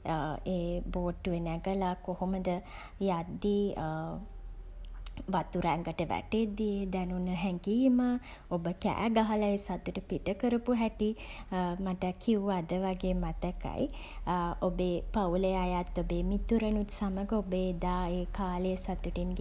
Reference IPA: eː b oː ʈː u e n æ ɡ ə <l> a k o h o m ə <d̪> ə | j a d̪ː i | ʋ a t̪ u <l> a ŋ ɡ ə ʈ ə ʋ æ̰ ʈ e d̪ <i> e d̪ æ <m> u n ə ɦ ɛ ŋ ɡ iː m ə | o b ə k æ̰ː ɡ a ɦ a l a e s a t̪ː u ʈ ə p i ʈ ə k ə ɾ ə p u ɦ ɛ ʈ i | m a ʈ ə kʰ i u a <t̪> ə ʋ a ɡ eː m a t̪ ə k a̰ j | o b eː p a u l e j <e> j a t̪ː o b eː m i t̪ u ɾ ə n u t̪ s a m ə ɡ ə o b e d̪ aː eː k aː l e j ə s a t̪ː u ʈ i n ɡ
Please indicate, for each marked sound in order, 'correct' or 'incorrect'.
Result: correct, correct, incorrect, correct, incorrect, incorrect, incorrect

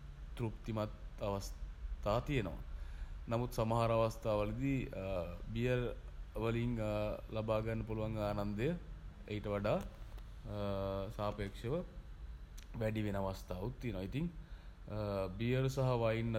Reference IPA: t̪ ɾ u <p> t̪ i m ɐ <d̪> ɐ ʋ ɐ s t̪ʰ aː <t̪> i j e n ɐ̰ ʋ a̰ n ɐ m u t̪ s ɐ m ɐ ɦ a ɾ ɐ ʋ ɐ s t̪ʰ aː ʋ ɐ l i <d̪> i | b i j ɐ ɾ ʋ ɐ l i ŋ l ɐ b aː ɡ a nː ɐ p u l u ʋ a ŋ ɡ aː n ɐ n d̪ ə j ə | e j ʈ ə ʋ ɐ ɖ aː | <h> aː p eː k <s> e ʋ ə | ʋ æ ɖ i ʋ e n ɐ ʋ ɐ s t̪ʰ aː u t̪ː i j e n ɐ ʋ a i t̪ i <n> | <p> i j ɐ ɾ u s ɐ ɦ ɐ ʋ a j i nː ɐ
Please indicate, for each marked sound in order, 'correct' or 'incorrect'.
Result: correct, incorrect, correct, correct, incorrect, incorrect, incorrect, incorrect

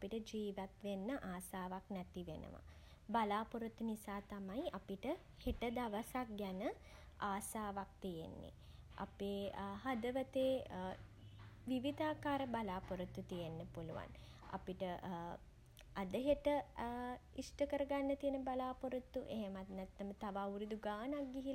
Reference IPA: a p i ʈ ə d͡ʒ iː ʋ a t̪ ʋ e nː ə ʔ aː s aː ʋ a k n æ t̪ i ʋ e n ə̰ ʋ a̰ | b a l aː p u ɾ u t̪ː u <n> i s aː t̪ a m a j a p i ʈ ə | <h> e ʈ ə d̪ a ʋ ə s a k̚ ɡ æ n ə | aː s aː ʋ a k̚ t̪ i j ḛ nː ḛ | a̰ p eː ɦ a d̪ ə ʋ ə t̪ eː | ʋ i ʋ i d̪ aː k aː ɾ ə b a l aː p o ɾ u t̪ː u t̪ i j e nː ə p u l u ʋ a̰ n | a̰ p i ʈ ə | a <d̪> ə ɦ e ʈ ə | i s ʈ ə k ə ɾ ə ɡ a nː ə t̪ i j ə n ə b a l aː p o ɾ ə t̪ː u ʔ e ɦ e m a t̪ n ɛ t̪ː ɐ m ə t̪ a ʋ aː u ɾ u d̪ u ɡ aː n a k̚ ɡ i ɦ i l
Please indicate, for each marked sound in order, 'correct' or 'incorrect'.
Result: correct, correct, correct

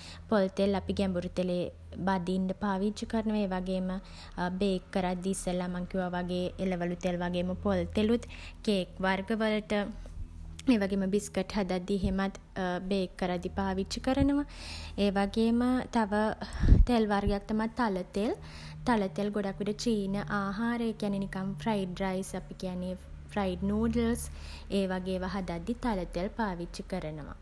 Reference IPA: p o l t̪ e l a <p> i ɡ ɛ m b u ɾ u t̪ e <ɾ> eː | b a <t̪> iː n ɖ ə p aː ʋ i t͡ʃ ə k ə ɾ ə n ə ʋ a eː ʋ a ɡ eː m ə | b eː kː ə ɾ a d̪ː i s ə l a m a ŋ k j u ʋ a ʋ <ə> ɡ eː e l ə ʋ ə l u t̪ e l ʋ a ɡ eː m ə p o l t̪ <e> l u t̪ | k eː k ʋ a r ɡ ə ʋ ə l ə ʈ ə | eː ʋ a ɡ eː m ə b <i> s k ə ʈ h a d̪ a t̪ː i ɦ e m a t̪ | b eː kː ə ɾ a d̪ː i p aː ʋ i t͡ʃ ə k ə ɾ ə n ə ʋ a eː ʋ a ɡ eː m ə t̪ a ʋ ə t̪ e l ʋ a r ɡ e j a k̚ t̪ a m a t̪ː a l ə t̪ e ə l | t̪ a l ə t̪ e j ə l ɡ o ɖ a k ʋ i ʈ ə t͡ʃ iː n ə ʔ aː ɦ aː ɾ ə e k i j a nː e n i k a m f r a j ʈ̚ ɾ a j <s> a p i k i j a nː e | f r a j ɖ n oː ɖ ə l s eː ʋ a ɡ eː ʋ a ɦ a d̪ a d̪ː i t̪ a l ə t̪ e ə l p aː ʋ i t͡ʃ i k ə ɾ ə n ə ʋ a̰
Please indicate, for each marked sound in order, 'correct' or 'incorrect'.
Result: correct, incorrect, incorrect, incorrect, correct, correct, correct

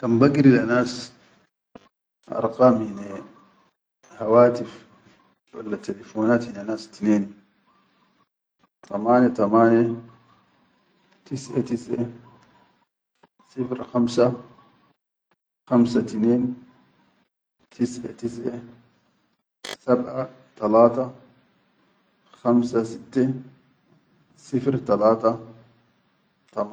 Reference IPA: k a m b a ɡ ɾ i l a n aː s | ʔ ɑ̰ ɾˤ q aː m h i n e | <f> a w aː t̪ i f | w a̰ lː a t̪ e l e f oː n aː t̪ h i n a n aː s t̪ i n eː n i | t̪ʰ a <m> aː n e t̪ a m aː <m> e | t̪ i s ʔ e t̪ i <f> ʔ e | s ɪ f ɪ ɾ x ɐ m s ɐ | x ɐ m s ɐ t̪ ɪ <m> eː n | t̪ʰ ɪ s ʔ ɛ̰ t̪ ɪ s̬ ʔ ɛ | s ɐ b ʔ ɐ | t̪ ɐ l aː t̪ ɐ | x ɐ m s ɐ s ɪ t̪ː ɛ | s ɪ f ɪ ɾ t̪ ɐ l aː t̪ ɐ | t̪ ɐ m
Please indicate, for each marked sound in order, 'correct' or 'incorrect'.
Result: incorrect, correct, incorrect, incorrect, incorrect

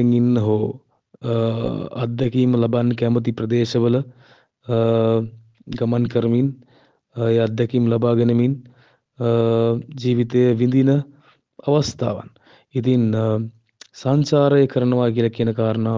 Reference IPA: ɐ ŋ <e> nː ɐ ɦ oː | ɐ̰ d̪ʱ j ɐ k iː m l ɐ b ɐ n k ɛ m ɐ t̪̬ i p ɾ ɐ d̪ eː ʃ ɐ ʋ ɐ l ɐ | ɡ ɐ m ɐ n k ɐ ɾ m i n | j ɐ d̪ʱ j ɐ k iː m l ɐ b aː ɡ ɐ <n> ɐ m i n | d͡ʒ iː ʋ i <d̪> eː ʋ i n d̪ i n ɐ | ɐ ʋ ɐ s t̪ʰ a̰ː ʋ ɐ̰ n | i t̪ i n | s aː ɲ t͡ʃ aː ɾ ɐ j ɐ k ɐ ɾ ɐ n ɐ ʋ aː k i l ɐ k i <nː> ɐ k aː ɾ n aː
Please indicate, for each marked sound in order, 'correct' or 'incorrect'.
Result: incorrect, correct, incorrect, incorrect

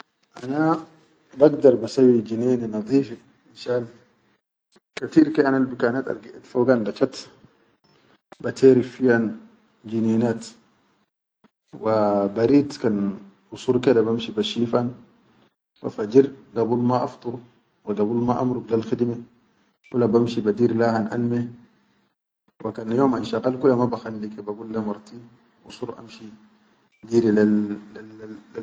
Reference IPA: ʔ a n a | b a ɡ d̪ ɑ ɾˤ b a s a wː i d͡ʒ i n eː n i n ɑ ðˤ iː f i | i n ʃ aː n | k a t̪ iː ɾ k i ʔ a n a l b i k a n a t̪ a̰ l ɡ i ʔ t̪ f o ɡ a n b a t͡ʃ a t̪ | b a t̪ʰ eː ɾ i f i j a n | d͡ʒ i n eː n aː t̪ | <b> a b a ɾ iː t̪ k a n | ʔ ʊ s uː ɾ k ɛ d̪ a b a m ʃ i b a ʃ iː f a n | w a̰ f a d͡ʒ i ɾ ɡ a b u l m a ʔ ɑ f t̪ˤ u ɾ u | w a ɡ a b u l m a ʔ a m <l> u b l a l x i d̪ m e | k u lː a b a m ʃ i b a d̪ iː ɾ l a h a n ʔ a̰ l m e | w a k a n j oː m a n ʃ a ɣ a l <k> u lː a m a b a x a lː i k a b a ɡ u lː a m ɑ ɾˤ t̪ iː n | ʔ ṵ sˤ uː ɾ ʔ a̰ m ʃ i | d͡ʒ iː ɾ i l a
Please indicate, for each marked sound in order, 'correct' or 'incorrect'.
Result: incorrect, incorrect, correct

